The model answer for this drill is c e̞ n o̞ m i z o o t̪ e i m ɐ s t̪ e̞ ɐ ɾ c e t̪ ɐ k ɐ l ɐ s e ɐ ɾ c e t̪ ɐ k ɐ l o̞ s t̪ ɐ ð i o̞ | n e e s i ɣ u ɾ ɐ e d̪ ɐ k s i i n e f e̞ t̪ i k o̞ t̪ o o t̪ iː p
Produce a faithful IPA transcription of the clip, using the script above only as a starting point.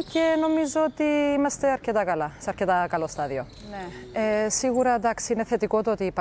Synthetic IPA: c e̞ n o̞ m i z o o t̪ i i m ɐ s t̪ e̞ ɐ ɾ c e t̪ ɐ k ɐ l ɐ s e ɐ ɾ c e t̪ ɐ k ɐ l o̞ s t̪ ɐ ð i o̞ | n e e s i ɣ u ɾ ɐ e d̪ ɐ k s i i n e θ e̞ t̪ i k o̞ t̪ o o t̪ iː p